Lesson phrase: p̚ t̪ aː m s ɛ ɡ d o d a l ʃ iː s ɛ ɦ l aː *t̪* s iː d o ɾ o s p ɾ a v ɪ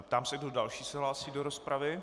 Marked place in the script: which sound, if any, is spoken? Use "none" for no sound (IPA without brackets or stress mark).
none